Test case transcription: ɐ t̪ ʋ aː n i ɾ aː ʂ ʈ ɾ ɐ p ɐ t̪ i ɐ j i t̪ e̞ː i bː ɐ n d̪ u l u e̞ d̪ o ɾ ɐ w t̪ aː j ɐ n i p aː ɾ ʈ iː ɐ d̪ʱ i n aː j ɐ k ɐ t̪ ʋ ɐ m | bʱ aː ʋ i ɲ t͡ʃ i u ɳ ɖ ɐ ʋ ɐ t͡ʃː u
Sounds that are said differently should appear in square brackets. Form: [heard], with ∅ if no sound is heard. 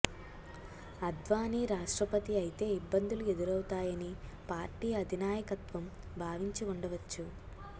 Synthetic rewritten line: ɐ [d̪] ʋ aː n i ɾ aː ʂ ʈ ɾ ɐ p ɐ t̪ i ɐ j i t̪ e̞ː i bː ɐ n d̪ u l u e̞ d̪ [u] ɾ ɐ w t̪ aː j ɐ n i p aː ɾ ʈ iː ɐ d̪ʱ i n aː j ɐ k ɐ t̪ ʋ ɐ m | bʱ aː ʋ i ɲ t͡ʃ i u ɳ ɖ ɐ ʋ ɐ t͡ʃː u